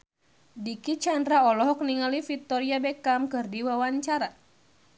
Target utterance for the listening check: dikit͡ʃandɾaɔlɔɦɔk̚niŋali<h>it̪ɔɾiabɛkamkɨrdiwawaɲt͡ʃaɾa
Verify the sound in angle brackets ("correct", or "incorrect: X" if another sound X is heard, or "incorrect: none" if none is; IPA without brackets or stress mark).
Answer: incorrect: f